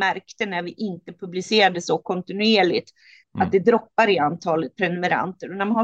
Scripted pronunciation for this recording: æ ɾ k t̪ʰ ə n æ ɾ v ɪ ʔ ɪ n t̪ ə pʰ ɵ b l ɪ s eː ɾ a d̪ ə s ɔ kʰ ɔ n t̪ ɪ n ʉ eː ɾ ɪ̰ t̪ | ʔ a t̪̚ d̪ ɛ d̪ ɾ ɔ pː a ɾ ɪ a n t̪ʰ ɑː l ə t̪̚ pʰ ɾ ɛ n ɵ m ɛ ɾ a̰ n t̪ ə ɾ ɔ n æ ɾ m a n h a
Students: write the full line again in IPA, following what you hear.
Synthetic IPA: æ ɾ k t̪ ə n æ ɾ v ɪ ʔ ɪ n t̪ ə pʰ ɵ b l ɪ s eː ɾ a d̪ ə s ɔ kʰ ɔ n t̪ ɪ n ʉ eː ɭ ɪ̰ t̪ | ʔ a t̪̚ d̪ ɛ d̪ ɾ ɔ pː a ɾ ɪ a n t̪ʰ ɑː l ə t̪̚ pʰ ɾ ɛ n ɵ m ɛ ɾ a̰ n t̪ ə ɾ ɔ n æ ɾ m a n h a